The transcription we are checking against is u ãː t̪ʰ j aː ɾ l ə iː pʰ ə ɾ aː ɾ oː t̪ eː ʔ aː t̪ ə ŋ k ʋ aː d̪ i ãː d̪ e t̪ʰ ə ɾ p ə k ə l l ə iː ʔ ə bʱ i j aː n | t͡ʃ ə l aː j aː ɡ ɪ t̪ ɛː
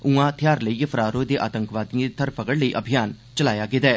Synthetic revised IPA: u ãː t̪ʰ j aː ɾ l ə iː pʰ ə ɾ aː ɾ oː d̪ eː ʔ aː t̪ ə ŋ k ʋ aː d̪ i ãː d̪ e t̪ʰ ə ɾ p ə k ə ɽ l ə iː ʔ ə bʱ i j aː n | t͡ʃ ə l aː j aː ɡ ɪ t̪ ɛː